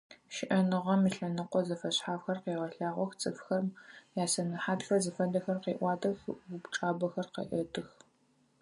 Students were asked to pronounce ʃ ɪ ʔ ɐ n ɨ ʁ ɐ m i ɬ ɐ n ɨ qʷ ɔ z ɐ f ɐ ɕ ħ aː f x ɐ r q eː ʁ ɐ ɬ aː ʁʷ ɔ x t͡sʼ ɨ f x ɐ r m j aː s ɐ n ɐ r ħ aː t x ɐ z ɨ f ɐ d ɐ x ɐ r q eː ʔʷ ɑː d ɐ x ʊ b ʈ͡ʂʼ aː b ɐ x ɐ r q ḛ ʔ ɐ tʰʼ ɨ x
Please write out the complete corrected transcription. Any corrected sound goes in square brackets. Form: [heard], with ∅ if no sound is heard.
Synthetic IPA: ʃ ɪ ʔ ɐ n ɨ ʁ ɐ m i ɬ ɐ n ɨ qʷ ɔ z ɐ f ɐ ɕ ħ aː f x ɐ r q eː ʁ ɐ ɬ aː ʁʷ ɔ x t͡sʼ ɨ f x ɐ r m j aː s ɐ n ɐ [∅] ħ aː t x ɐ z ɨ f ɐ d ɐ x ɐ r q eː ʔʷ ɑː d ɐ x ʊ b ʈ͡ʂʼ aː b ɐ x ɐ r q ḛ ʔ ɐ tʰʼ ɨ x